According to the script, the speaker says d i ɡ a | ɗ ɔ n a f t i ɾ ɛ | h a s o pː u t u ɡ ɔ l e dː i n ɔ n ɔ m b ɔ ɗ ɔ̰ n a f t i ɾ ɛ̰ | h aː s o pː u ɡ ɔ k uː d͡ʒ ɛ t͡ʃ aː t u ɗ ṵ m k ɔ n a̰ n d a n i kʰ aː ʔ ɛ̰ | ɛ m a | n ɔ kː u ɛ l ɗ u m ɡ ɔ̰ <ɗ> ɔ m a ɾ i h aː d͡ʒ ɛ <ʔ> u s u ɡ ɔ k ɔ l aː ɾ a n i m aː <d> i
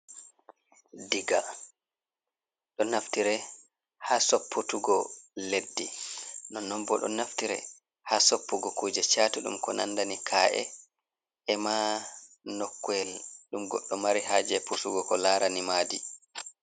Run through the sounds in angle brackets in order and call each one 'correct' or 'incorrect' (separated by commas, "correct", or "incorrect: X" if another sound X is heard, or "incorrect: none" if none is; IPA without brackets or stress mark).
incorrect: ɗː, incorrect: p, correct